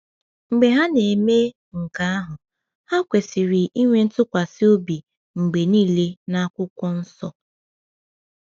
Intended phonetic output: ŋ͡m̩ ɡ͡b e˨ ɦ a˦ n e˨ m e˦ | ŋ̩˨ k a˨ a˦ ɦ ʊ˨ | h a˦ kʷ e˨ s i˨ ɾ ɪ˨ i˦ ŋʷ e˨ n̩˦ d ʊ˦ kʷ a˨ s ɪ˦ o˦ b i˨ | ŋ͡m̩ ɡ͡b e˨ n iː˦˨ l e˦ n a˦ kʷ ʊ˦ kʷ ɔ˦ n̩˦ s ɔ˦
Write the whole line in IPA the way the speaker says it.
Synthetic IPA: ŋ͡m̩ ɡ͡b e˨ ɦ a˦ n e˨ m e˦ | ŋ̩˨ k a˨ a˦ ɦ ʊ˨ | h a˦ kʷ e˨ s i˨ ɾ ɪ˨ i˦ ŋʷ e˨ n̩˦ t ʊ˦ kʷ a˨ s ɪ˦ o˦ b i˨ | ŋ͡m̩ ɡ͡b e˨ n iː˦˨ l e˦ n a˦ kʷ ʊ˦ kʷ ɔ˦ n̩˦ s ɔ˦

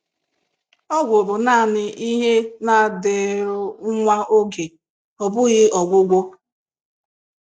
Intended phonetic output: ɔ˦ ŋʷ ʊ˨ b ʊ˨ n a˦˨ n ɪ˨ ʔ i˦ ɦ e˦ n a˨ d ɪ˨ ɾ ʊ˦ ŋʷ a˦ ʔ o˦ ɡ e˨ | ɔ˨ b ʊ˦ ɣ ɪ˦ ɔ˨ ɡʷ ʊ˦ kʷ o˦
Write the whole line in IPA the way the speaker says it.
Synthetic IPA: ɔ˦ ɡʷ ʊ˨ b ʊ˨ n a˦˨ n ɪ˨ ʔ i˦ ɦ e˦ n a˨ d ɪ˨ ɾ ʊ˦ ŋʷ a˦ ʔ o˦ ɡ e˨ | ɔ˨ b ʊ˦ ɣ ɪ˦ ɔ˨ ɡʷ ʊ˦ ɡʷ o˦

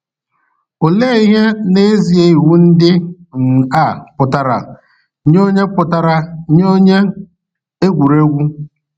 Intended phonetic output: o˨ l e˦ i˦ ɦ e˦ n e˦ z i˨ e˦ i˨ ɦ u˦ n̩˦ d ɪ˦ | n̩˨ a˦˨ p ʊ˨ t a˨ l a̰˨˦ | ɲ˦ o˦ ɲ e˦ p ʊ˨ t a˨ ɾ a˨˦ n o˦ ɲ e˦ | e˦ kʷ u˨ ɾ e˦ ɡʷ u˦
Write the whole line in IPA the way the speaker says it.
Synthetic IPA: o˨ l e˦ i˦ ɦ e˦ n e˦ z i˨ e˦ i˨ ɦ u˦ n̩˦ d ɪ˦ | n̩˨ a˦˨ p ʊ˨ t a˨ ɾ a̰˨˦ | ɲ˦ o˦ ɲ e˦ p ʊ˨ t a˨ ɾ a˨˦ ɲ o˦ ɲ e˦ | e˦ ɡʷ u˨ ɾ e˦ ɡʷ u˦

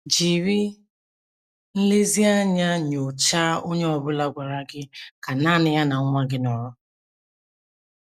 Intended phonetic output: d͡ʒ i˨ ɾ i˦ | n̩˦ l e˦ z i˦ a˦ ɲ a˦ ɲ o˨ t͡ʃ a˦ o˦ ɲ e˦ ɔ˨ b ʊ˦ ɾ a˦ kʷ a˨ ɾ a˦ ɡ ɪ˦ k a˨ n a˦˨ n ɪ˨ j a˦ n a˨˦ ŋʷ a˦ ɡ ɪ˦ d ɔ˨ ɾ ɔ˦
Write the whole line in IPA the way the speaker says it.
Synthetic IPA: d͡ʒ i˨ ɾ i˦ | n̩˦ l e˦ z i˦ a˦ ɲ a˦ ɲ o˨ t͡ʃ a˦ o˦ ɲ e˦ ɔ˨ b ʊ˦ l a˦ ɡʷ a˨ ɾ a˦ ɡ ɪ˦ k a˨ n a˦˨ n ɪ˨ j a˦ n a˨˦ ŋʷ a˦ ɡ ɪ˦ n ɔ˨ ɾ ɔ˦

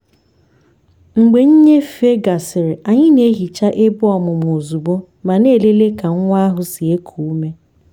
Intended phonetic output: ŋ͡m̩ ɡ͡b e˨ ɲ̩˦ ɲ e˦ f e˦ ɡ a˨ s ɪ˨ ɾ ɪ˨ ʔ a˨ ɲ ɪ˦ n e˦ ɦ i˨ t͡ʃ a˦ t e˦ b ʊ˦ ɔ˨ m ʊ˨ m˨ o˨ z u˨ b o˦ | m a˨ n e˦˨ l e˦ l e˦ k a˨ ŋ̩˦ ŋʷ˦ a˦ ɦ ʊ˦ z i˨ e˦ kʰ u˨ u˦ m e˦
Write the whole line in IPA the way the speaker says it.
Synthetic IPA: ŋ͡m̩ ɡ͡b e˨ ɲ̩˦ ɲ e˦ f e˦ ɡ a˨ s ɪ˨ ɾ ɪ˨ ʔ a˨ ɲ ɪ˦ n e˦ ɦ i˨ t͡ʃ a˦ ʔ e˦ b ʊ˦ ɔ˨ m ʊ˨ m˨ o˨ z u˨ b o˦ | m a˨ n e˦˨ l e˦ l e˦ k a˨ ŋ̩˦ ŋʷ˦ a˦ ɦ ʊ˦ s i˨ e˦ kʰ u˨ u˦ m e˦

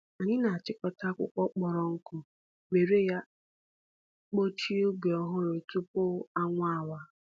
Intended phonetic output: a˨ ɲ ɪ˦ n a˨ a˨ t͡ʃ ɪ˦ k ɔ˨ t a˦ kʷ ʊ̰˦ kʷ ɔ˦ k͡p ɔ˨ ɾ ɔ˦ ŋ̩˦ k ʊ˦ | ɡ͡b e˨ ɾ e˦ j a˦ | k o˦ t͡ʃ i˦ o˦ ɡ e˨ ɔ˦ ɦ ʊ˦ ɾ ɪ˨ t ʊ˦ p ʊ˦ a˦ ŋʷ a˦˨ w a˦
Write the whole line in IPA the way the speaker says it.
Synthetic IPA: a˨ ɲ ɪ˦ n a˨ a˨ t͡ʃ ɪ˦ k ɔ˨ t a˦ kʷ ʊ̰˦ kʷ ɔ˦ k͡p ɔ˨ ɾ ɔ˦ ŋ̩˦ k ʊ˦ | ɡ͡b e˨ ɾ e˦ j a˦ | k͡p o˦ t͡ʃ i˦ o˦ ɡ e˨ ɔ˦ ɦ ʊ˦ ɾ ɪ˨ t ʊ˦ p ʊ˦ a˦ ŋʷ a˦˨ w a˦

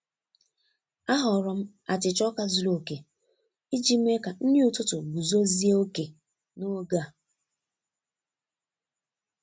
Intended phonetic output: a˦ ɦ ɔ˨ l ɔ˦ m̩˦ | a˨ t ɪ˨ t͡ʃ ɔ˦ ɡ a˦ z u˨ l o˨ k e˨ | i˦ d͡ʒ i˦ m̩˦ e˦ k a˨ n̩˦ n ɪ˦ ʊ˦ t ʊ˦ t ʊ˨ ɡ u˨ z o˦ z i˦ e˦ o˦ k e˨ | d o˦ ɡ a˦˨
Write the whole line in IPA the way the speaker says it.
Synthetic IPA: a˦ ɦ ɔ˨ ɾ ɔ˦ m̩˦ | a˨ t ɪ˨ t͡ʃ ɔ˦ k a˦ z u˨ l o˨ k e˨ | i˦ d͡ʒ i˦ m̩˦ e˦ k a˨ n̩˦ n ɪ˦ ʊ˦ t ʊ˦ t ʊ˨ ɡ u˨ z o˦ z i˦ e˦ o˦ k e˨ | n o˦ ɡ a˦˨

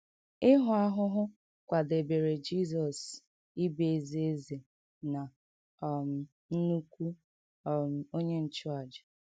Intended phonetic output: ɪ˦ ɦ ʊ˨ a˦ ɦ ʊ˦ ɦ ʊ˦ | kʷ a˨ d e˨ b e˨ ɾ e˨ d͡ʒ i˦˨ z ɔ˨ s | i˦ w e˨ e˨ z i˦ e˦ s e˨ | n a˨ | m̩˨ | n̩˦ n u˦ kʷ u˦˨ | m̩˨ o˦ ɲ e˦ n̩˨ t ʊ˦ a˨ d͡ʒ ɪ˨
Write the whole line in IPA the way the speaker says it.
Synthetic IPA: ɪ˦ ɦ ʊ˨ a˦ ɦ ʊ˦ ɦ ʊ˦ | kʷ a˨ d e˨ b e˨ ɾ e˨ d͡ʒ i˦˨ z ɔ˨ s | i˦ b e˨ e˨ z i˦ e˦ z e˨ | n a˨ | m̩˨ | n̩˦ n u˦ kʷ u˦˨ | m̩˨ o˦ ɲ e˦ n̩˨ t͡ʃ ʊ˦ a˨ d͡ʒ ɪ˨

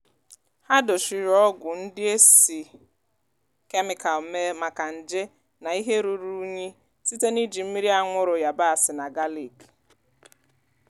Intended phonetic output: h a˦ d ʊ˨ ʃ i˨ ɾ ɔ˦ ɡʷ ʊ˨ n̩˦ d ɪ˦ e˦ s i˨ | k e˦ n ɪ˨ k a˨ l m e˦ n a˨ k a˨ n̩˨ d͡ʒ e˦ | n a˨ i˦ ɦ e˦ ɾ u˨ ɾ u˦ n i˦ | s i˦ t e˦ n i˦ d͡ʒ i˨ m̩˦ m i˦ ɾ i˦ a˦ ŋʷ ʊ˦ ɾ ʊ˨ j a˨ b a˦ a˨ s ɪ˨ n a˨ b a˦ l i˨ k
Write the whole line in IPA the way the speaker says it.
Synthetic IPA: h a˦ d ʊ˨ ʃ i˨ ɾ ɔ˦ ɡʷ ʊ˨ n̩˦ d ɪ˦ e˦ s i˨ | k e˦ m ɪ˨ k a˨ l m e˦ m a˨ k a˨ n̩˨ d͡ʒ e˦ | n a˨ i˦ ɦ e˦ ɾ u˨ ɾ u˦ ɲ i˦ | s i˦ t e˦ n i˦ d͡ʒ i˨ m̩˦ m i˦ ɾ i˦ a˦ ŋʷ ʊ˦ ɾ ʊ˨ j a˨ b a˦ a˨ s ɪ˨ n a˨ ɡ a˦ l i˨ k

